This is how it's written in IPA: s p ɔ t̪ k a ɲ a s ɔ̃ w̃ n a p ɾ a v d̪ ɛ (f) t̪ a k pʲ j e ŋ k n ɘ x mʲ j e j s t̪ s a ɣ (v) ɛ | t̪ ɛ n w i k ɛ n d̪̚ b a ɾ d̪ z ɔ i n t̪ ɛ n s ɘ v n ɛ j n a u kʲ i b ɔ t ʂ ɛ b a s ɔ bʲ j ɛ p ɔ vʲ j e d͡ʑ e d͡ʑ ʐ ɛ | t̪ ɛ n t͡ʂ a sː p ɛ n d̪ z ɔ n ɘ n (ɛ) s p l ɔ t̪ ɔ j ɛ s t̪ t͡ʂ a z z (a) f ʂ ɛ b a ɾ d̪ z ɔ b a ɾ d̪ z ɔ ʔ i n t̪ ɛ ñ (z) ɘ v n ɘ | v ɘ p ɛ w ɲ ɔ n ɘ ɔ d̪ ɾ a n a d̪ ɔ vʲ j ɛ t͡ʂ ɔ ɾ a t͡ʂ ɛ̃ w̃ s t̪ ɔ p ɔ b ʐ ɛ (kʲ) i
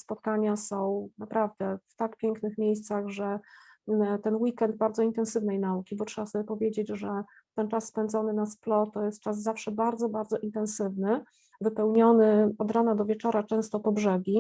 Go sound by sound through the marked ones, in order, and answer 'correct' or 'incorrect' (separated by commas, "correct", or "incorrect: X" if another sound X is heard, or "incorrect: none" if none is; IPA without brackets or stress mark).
correct, incorrect: ʐ, incorrect: a, correct, incorrect: s, incorrect: ɡʲ